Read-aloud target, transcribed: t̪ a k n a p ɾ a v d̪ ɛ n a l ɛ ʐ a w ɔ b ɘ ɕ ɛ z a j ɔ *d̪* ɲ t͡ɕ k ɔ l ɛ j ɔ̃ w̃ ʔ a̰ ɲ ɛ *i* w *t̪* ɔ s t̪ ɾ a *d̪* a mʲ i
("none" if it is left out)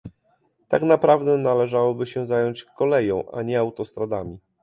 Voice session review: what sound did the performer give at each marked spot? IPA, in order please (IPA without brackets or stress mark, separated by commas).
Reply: none, a, t̪, d̪